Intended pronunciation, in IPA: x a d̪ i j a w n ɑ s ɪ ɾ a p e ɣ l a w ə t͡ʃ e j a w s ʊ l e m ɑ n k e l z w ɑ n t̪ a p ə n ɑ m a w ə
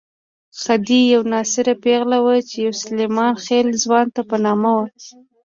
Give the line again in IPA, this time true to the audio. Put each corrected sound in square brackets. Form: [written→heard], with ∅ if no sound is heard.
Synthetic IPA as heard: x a d̪ i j a w n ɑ s ɪ ɾ a p e ɣ l a w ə t͡ʃ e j a w s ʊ l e m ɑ n [k→x] e l z w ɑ n t̪ a p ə n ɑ m a w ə

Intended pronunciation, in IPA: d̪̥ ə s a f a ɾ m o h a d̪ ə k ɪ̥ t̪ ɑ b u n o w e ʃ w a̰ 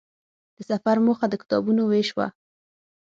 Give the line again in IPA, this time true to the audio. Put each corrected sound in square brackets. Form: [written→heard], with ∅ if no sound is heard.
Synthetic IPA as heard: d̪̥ ə s a f a ɾ m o [h→x] a d̪ ə k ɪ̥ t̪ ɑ b u n o w e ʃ w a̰

